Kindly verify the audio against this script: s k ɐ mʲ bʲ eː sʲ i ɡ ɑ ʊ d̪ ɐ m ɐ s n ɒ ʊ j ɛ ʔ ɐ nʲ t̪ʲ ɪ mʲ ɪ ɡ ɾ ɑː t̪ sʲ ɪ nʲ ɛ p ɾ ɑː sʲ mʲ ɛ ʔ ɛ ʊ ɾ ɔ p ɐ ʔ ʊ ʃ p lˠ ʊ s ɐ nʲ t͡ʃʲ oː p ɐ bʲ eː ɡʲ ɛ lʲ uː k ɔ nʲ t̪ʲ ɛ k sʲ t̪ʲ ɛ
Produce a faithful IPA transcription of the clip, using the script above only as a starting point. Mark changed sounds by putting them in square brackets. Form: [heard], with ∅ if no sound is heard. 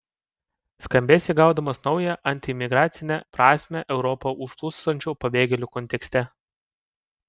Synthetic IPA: s k ɐ mʲ bʲ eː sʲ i ɡ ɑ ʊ d̪ ɐ m ɐ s n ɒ ʊ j ɛ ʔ ɐ nʲ t̪ʲ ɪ mʲ ɪ ɡ ɾ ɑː t̪ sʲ ɪ nʲ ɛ p ɾ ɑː sʲ mʲ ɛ ʔ ɛ ʊ ɾ ɔ p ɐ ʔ ʊ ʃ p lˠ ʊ s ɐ nʲ t͡ʃʲ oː p ɐ bʲ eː ɡʲ ɛ lʲ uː k ɔ nʲ t̪ʲ ɛ k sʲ t̪ʲ ɛ